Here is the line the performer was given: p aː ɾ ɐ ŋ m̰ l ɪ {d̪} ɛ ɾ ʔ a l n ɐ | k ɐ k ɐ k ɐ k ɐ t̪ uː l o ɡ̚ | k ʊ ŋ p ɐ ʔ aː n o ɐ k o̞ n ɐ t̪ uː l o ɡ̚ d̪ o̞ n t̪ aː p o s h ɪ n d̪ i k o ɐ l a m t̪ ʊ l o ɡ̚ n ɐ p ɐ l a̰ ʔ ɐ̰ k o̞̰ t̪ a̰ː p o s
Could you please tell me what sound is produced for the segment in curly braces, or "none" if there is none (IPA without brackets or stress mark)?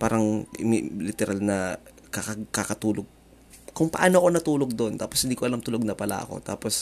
t̪